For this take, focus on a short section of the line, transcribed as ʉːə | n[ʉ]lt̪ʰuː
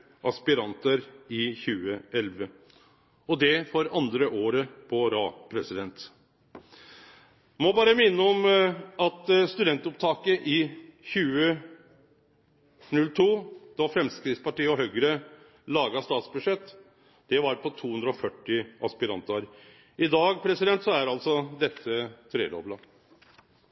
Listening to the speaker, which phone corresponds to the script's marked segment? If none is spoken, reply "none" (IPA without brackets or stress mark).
ʉ